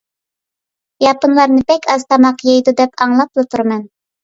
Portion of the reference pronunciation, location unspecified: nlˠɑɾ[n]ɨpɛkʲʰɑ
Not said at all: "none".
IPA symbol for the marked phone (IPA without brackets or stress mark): n